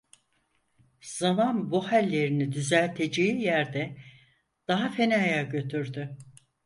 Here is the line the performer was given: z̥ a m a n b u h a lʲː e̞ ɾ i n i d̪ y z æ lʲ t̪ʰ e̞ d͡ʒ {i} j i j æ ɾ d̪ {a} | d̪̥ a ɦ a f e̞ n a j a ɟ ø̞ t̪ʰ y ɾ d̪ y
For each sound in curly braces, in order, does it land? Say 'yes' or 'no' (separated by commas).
no, no